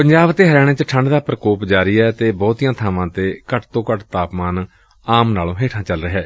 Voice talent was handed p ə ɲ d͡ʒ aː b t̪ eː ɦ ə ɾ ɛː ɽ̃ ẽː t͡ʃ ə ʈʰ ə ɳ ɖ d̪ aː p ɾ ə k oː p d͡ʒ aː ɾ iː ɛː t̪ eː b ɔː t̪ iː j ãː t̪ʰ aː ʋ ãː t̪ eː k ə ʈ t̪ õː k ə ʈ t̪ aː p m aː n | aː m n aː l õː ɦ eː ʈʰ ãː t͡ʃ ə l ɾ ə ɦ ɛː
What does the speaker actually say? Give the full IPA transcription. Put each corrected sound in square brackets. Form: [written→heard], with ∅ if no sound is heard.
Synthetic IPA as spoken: p ə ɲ d͡ʒ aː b t̪ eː ɦ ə ɾ ɛː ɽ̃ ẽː t͡ʃ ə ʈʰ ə ɳ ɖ d̪ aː p ɾ ə k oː p d͡ʒ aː ɾ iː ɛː t̪ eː b ɔː t̪ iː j ãː t̪ʰ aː ʋ ãː t̪ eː k ə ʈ t̪ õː k ə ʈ t̪ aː p m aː n | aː m n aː l õː ɦ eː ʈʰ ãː t͡ʃ ə l ɾ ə ɦ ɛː